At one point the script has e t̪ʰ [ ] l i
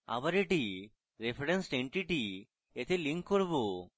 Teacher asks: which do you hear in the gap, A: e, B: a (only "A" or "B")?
A